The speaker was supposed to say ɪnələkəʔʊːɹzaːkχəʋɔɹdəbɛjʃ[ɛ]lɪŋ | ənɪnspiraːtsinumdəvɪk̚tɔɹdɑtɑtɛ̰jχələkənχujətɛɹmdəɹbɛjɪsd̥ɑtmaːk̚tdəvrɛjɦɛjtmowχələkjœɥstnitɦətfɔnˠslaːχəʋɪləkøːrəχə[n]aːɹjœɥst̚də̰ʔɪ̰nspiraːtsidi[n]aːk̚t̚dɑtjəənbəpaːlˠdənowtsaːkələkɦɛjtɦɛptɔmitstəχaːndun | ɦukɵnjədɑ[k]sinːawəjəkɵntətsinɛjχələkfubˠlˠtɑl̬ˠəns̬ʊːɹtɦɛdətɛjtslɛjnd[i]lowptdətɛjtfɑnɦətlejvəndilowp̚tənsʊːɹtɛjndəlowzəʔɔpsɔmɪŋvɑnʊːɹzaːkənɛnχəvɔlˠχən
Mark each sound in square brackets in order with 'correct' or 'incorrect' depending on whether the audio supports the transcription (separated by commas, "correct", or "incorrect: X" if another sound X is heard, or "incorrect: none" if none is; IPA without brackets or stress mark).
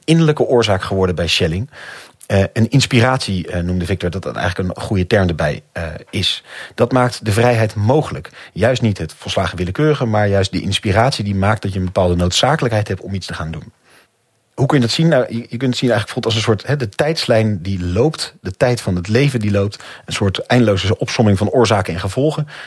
correct, incorrect: m, incorrect: m, incorrect: t, correct